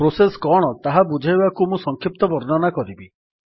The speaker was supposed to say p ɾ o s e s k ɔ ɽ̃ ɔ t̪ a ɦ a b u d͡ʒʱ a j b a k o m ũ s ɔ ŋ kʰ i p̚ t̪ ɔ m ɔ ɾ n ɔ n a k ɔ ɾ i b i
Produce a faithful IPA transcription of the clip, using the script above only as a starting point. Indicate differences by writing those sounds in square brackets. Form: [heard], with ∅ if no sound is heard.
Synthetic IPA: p ɾ o s e s k ɔ ɽ̃ ɔ t̪ a ɦ a b u d͡ʒʱ a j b a k [u] m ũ s ɔ ŋ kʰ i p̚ t̪ ɔ [b] ɔ ɾ n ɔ n a k ɔ ɾ i b i